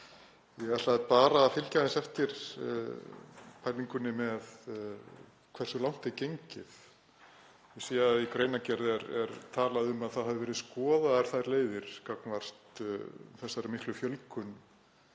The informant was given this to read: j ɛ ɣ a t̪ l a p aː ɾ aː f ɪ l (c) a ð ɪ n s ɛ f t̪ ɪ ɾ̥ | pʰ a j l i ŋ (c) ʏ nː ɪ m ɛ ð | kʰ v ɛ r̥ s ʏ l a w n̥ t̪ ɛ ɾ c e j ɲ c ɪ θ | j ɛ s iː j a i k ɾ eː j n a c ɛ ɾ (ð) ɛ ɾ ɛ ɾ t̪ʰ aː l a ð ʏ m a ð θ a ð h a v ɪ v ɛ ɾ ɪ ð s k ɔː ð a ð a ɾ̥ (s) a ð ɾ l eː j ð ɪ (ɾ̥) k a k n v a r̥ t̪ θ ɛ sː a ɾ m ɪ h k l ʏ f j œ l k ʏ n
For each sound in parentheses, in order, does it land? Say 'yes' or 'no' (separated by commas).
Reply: yes, no, yes, no, yes